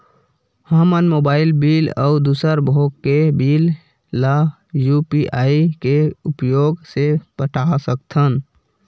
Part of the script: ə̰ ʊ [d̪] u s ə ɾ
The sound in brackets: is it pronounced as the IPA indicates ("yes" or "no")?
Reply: yes